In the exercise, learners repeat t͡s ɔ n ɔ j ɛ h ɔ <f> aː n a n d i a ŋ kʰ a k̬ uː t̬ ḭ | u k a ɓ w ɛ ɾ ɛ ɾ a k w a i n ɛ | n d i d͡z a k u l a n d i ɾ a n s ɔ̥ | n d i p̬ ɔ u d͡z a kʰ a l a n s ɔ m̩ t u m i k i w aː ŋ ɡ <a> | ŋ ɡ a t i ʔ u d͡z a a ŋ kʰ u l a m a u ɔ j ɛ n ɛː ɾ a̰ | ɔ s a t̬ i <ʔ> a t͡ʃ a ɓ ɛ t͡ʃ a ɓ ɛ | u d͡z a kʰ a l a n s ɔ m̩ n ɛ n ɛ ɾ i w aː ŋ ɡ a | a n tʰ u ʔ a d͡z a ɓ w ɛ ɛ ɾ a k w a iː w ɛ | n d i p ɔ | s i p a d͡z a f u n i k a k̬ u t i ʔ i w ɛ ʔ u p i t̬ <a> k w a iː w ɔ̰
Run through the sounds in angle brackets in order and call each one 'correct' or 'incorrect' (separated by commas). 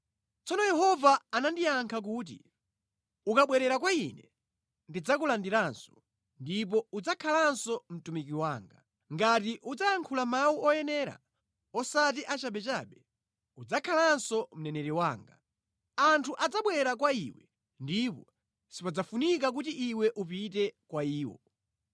incorrect, correct, correct, incorrect